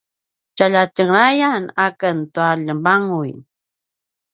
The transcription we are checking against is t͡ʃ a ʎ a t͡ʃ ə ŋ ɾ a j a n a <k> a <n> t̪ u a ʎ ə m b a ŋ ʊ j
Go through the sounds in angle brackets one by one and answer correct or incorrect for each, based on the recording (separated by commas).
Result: correct, correct